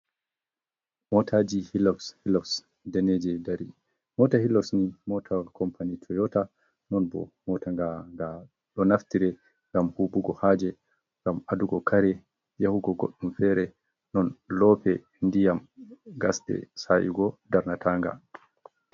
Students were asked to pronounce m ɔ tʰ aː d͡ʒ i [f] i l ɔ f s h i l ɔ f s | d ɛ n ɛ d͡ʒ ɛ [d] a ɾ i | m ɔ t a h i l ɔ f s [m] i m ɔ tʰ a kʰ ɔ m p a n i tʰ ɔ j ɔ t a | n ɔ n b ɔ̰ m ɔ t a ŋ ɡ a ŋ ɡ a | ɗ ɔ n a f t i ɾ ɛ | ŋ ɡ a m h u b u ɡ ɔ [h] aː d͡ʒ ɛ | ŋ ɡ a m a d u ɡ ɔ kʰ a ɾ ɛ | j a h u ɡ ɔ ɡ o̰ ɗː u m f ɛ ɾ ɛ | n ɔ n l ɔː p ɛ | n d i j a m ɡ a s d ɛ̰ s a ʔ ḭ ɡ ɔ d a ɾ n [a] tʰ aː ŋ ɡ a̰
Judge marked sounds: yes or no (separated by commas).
no, yes, no, yes, yes